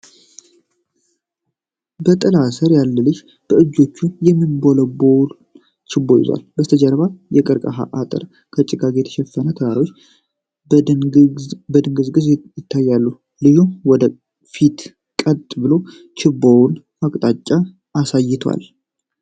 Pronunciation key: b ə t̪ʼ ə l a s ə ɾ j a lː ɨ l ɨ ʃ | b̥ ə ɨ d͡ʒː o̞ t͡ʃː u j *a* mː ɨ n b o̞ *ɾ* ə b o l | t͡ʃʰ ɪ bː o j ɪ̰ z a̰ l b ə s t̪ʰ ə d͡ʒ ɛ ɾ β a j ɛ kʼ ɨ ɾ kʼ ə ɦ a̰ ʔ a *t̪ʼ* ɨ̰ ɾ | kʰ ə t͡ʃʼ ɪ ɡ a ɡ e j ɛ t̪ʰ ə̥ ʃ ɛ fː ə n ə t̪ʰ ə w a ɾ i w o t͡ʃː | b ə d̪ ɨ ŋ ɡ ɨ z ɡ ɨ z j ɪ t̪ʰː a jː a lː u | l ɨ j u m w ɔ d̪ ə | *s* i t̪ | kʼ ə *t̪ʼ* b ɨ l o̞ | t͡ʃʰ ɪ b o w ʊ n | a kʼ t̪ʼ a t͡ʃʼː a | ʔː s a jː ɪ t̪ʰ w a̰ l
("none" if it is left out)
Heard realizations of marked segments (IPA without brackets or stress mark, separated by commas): ɛ, l, t̪ʼ, f, t̪ʼ